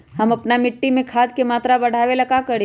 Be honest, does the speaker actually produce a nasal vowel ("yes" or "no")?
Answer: yes